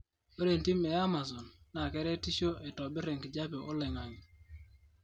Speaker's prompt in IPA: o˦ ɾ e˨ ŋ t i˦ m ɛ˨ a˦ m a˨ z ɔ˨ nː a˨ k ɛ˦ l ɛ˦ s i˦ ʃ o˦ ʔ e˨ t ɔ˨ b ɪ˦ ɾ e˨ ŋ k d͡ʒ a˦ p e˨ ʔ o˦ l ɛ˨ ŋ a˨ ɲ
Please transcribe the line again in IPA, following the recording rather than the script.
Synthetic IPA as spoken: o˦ ɾ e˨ n t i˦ m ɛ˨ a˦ m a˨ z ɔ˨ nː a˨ k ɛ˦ ɾ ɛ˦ t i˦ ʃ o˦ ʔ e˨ t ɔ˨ b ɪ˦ ɾ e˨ ŋ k d͡ʒ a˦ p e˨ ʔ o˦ l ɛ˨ ŋ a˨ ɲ